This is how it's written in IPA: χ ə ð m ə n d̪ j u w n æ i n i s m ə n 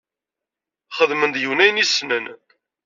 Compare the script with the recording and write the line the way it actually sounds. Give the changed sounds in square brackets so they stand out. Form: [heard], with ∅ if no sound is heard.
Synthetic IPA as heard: χ ə ð m ə n d̪ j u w n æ [j] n i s [n] ə n